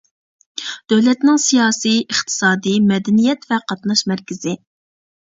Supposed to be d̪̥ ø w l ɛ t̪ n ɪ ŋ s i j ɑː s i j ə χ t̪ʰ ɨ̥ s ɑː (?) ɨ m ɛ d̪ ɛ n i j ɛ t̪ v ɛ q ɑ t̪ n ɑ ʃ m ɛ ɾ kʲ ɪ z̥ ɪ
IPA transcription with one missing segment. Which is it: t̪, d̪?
d̪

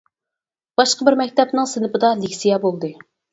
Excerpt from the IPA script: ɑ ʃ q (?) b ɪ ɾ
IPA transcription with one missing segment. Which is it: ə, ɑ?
ə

